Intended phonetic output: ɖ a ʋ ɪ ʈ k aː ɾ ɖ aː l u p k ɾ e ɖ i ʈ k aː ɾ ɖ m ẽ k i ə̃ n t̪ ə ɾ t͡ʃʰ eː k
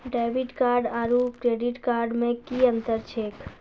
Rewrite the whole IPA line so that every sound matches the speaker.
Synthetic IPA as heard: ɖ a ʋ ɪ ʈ k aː ɾ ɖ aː ɾ u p k ɾ e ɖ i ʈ k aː ɾ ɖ m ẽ k i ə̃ n t̪ ə ɾ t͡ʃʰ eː k